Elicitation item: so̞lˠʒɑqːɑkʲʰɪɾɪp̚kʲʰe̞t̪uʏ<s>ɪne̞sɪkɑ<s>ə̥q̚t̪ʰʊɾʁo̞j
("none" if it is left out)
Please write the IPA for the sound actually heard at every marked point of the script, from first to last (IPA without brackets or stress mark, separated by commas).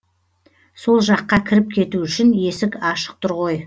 ʃ, ʃ